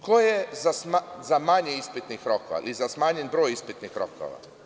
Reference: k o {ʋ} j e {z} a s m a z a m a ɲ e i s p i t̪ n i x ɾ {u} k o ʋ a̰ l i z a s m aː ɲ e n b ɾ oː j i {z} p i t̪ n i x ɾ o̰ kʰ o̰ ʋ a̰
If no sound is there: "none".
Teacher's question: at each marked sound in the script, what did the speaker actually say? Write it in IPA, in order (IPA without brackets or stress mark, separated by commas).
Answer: none, z, o, s